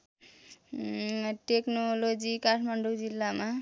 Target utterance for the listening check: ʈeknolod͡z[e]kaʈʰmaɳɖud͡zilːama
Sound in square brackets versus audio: incorrect: i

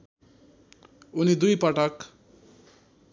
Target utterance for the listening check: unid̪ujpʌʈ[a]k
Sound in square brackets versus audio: incorrect: ʌ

